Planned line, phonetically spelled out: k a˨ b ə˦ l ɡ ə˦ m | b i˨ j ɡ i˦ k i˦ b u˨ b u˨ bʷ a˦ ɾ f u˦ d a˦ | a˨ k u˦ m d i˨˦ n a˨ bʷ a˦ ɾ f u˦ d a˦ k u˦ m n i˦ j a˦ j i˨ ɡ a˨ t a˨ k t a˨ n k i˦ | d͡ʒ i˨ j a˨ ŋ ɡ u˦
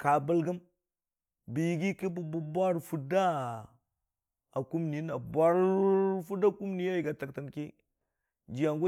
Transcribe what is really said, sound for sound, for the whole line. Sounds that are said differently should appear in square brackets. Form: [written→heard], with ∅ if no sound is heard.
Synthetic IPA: k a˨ b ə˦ l ɡ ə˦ m | b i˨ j ɡ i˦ k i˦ b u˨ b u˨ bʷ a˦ ɾ f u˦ d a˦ | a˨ k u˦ m [d→n] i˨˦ n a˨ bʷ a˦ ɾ f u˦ d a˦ k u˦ m n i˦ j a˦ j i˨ ɡ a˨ t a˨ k t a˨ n k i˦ | d͡ʒ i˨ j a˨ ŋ ɡ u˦

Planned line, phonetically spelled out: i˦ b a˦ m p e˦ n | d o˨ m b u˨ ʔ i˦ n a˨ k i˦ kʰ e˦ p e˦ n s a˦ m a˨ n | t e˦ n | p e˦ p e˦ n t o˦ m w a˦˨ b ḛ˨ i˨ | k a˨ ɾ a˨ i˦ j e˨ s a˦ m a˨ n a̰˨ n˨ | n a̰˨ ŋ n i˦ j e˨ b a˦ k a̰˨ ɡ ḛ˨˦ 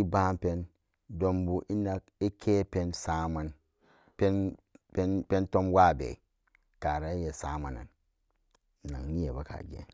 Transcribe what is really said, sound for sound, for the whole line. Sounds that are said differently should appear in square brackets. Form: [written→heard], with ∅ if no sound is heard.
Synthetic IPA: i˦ b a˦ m p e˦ n | d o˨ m b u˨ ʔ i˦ n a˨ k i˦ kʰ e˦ p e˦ n s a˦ m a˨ n | [t→p] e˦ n | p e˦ p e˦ n t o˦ m w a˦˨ b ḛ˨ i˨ | k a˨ ɾ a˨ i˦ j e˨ s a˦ m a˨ n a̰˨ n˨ | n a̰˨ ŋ n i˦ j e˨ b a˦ k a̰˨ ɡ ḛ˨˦

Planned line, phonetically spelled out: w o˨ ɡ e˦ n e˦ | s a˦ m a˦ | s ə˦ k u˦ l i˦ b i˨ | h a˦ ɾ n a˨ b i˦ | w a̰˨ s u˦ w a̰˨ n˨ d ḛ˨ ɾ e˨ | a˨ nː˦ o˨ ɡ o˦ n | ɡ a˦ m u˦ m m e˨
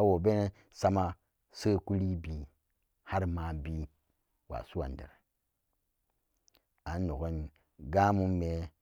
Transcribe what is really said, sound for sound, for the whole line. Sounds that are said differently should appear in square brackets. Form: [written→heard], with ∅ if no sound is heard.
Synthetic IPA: w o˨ [ɡ→b] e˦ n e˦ | s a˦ m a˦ | s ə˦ k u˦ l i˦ b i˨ | h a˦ ɾ [n→m] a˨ b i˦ | w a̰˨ s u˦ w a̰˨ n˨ d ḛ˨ ɾ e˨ | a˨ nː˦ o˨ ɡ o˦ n | ɡ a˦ m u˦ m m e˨

